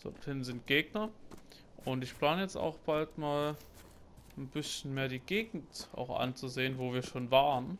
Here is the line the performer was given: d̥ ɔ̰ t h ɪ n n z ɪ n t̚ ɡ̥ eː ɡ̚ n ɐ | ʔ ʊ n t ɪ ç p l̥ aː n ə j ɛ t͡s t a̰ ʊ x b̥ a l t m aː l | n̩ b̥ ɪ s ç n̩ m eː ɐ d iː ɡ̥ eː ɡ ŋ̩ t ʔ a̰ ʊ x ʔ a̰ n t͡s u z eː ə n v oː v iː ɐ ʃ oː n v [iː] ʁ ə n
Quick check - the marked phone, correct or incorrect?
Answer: incorrect